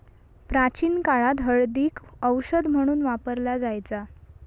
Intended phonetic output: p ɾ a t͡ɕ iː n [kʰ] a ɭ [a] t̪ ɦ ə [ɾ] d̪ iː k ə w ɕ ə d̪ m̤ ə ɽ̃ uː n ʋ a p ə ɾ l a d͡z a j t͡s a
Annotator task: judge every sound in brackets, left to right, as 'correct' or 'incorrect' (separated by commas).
incorrect, correct, incorrect